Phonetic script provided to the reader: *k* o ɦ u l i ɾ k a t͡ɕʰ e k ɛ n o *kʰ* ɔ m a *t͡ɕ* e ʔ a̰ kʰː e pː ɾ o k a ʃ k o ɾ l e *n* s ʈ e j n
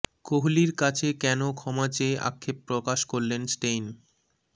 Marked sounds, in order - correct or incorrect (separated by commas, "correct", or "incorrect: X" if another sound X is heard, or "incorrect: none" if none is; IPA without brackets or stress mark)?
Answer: correct, correct, correct, correct